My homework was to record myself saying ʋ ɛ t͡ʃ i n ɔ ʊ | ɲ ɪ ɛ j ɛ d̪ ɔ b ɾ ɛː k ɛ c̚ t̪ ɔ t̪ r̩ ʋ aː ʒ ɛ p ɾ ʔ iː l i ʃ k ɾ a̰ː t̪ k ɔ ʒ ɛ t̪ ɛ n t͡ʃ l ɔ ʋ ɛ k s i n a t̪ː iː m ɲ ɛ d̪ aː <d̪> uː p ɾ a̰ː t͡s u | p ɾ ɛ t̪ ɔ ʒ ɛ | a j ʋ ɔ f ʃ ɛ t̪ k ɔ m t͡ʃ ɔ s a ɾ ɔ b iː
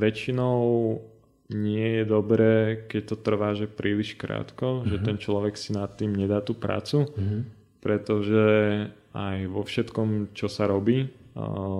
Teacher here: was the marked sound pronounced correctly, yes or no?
no